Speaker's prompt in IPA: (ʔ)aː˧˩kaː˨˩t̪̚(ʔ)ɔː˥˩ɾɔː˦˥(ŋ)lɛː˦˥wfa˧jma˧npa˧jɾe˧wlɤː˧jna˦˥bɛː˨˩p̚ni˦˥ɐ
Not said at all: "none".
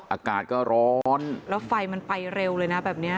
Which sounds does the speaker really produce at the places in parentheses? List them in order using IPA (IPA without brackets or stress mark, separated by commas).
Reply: ʔ, k, n